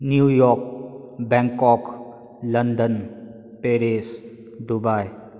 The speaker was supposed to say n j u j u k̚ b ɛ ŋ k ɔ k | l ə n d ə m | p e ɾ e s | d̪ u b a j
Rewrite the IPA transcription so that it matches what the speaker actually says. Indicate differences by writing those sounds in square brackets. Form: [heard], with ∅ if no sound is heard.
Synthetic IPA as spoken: n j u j [ɔ] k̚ b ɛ ŋ k ɔ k | l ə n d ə [n] | p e ɾ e s | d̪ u b a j